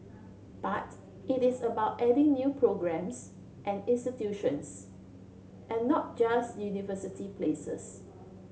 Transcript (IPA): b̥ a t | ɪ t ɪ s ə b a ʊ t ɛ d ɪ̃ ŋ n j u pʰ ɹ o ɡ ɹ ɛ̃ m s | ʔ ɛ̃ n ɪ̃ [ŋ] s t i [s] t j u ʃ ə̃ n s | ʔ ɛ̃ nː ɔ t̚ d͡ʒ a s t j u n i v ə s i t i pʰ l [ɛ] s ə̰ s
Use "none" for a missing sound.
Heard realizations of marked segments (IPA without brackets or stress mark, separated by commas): n, none, e